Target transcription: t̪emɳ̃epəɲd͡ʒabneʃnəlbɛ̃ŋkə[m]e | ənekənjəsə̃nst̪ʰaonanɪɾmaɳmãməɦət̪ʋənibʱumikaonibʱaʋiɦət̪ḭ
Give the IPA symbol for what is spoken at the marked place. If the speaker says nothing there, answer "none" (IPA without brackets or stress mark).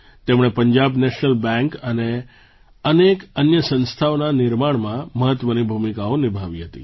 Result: n